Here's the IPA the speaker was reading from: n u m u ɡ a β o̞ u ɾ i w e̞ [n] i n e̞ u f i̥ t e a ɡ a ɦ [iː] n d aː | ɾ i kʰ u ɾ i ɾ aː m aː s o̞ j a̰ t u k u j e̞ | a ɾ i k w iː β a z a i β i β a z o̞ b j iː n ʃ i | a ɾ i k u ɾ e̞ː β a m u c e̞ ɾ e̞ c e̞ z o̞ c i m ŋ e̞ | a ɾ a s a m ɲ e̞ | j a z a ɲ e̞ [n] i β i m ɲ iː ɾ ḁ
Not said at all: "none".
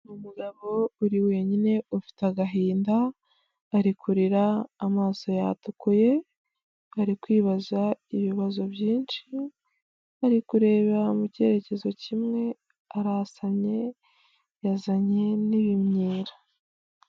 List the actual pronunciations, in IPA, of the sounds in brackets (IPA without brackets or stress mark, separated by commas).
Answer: ɲ, iː, n